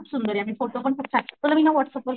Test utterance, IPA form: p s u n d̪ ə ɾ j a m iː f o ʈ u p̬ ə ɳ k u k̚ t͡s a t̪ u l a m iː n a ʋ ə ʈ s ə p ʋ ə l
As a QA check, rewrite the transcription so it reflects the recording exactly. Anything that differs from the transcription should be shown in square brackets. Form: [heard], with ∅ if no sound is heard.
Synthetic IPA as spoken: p s u n d̪ ə ɾ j a m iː f o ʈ [o] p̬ ə ɳ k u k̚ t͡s a t̪ u l a m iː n a ʋ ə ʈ s ə p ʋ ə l